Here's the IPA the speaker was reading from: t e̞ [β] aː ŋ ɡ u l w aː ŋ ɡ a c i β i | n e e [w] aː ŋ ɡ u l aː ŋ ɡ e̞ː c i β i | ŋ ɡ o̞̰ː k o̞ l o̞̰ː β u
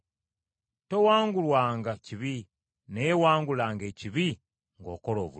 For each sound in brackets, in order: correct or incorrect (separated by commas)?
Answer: incorrect, correct